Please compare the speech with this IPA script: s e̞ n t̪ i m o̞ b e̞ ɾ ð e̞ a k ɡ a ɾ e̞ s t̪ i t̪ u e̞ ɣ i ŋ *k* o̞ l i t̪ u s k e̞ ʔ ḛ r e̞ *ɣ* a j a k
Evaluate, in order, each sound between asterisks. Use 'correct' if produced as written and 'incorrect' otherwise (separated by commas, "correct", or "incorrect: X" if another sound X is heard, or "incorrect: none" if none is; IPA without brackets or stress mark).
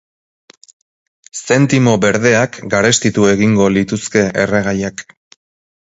incorrect: ɡ, correct